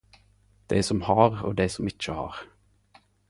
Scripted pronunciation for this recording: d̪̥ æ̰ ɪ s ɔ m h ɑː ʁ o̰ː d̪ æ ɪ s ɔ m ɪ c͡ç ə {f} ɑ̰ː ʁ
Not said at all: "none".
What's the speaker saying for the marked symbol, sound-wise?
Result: h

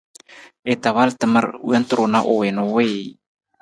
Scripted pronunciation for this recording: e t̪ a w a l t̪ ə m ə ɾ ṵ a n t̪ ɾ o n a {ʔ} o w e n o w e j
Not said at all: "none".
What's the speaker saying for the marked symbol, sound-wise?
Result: ʔ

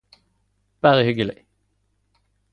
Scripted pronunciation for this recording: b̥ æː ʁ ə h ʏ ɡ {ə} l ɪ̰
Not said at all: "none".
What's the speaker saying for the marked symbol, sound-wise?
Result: ə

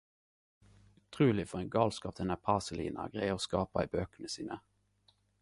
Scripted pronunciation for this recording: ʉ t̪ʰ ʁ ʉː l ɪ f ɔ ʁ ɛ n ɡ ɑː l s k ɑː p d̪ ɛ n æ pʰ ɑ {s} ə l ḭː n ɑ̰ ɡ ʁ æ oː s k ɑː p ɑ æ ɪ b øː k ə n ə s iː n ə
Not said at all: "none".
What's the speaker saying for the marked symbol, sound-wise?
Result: s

